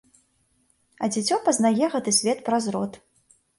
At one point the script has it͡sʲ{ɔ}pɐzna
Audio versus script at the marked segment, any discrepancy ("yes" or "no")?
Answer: no